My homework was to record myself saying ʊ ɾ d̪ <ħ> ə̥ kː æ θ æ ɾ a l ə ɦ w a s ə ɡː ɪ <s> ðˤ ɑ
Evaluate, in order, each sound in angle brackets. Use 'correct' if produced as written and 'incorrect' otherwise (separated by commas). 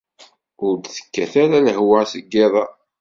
incorrect, incorrect